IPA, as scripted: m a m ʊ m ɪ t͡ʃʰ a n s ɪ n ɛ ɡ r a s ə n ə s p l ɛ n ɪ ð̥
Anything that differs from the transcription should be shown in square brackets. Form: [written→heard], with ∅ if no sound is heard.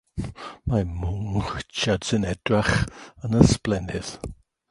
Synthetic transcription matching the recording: m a m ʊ [m→ŋ] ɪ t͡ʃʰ a [n→d] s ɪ n ɛ [ɡ→d] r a [s→χ] ə n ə s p l ɛ n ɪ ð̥

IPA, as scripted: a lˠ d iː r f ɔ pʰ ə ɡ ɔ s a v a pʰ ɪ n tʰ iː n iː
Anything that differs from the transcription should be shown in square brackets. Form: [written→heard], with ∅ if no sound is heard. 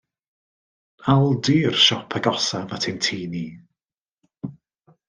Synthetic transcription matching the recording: a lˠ d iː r [f→ʃ] ɔ pʰ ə ɡ ɔ s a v a [pʰ→tʰ] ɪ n tʰ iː n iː

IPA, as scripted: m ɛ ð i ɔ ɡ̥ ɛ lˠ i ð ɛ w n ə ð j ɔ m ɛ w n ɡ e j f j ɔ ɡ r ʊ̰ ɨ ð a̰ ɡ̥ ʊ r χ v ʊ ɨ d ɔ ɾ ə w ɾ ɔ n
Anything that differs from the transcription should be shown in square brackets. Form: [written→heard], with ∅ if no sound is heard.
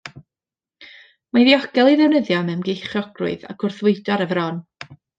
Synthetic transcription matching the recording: m [ɛ→a] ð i ɔ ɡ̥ ɛ lˠ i ð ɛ w n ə ð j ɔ m ɛ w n ɡ e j [f→χ] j ɔ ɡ r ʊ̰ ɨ ð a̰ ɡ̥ ʊ r [χ→θ] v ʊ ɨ d ɔ ɾ ə [w→v] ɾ ɔ n

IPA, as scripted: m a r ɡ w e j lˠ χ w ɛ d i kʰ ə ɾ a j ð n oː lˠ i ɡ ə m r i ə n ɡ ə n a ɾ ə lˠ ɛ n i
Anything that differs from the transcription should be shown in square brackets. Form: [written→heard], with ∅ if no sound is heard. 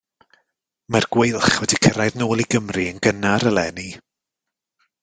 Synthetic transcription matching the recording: m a r ɡ w e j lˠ χ w ɛ d i kʰ ə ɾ a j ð n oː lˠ i ɡ ə m r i ə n ɡ ə n a ɾ ə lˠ ɛ n i

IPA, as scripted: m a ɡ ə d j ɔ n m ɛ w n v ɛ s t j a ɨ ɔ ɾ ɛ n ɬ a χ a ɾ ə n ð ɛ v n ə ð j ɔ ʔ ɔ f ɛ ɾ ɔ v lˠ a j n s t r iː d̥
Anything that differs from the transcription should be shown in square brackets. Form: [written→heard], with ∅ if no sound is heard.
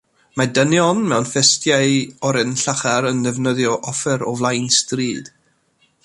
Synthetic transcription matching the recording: m a [ɡ→d] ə [d→n] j ɔ n m ɛ w n [v→f] ɛ s t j a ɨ ɔ ɾ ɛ n ɬ a χ a ɾ ə n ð ɛ v n ə ð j ɔ ʔ ɔ f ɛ ɾ ɔ v lˠ a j n s t r iː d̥

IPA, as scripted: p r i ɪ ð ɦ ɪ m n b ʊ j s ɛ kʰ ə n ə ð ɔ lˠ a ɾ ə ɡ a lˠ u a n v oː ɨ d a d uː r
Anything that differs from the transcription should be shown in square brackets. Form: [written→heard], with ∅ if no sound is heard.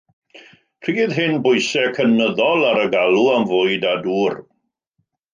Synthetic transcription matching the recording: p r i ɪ ð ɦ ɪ [m→∅] n b ʊ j s ɛ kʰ ə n ə ð ɔ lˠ a ɾ ə ɡ a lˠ u a [n→m] v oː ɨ d a d uː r

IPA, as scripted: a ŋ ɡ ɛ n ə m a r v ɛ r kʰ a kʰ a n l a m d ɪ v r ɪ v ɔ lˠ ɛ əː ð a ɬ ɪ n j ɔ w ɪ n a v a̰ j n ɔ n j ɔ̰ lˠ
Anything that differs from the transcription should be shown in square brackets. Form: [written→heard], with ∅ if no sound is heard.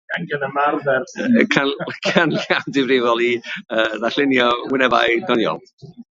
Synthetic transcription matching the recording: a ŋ ɡ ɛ n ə m a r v ɛ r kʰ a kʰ a n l a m d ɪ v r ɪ v ɔ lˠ [ɛ→i] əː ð a ɬ ɪ n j ɔ w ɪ n [a→ɛ] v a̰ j [n→d] ɔ n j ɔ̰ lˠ

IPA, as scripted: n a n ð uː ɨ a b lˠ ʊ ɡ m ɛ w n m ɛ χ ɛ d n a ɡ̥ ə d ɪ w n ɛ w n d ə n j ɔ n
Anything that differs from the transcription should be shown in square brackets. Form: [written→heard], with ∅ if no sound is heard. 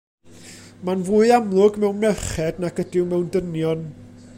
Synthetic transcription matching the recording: [n→m] a n [ð→v] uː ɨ a [b→m] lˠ ʊ ɡ m ɛ w n m ɛ χ ɛ d n a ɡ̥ ə d ɪ w [n→m] ɛ w n d ə n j ɔ n

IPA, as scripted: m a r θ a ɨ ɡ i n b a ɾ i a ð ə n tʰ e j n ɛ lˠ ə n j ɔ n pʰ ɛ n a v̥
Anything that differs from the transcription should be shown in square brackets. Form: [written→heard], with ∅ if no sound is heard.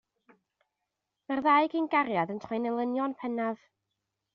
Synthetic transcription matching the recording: m a r [θ→ð] a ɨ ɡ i n [b→ɡ] a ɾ [i→j] a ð ə n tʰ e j n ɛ lˠ ə n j ɔ n pʰ ɛ n a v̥

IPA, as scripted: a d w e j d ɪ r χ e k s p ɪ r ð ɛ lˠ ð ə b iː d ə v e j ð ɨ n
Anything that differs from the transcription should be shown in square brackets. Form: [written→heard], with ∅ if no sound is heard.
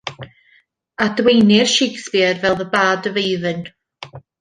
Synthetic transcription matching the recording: a d w e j [d→n] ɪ r [χ→ʃ] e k s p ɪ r [ð→v] ɛ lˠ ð ə b [iː→aː] d ə v e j ð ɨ n

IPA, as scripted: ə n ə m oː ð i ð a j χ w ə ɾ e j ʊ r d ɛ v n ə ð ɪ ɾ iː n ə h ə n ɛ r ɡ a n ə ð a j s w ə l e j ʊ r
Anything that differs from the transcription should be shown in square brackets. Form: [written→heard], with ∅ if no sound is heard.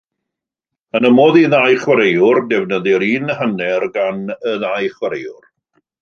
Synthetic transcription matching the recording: ə n ə m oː ð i ð a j χ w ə ɾ e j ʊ r d ɛ v n ə ð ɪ ɾ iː n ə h ə n ɛ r ɡ a n ə ð a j [s→χ] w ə [l→ɾ] e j ʊ r

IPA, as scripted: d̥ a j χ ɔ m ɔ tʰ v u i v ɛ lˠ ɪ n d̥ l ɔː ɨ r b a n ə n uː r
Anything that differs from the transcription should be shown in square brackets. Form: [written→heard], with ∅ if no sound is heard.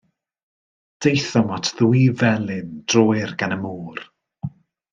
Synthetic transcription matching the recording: d̥ [a→e] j [χ→θ] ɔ m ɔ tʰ [v→ð] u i v ɛ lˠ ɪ n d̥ [l→r] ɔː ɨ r [b→ɡ] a n ə [n→m] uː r

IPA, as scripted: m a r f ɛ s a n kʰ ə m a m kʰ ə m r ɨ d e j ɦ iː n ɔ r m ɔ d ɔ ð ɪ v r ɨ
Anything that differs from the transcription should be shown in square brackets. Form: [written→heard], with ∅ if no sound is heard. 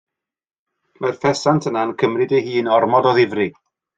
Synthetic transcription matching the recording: m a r f ɛ s a n [kʰ→tʰ] ə [m→n] a [m→n] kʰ ə m r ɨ d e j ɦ iː n ɔ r m ɔ d ɔ ð ɪ v r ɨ

